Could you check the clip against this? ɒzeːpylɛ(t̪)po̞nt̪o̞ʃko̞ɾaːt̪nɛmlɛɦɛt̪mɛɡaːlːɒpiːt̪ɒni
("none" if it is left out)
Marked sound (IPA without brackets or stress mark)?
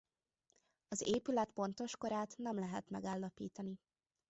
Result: t̪